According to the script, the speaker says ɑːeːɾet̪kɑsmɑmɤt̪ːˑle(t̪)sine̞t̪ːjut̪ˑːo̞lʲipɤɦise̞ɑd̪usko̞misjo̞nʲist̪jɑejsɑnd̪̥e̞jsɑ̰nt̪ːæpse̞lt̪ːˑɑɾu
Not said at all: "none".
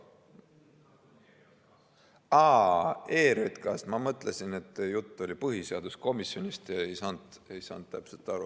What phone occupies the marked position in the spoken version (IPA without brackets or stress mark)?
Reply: none